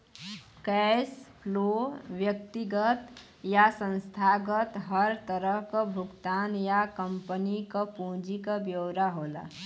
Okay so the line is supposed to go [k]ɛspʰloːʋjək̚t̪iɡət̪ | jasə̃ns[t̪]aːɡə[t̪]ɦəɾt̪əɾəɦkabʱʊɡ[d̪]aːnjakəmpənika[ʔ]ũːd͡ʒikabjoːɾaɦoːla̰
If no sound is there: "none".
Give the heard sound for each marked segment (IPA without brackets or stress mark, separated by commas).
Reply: k, t̪ʰ, t̪, t̪, p